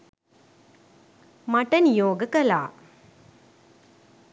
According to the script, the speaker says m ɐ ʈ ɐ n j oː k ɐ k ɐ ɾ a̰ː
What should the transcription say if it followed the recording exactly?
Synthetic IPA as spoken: m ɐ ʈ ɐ n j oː ɡ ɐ k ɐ l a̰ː